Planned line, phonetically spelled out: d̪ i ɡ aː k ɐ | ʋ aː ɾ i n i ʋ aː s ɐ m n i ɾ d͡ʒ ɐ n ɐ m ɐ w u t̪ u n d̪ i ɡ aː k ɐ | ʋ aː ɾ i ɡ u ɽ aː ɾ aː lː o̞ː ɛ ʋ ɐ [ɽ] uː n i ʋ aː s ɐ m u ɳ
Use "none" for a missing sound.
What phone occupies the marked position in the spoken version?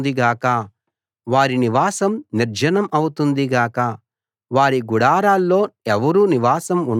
ɾ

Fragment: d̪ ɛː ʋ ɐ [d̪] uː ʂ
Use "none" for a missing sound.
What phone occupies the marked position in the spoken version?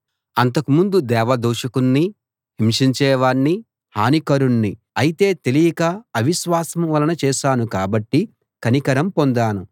d̪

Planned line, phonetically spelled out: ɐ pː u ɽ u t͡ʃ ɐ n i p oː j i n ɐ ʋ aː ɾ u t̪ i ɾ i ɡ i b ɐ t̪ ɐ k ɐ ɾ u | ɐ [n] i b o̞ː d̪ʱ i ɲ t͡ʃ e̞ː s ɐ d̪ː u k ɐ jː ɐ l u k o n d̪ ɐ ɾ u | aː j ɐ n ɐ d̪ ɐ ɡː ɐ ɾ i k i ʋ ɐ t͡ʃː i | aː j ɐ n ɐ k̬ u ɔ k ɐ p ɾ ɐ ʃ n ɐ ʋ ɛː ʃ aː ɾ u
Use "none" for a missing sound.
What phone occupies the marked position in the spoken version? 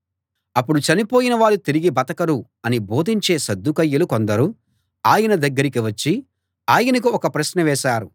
n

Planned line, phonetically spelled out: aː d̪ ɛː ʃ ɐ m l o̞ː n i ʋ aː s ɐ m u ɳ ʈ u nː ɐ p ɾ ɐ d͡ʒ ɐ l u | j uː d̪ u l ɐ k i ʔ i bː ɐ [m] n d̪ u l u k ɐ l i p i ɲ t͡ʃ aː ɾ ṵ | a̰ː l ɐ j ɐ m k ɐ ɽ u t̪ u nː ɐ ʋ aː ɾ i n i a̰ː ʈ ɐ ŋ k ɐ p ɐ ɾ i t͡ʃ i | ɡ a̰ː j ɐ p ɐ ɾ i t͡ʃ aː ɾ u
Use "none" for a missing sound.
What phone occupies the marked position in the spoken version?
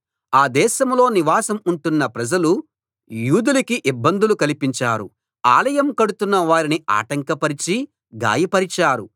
none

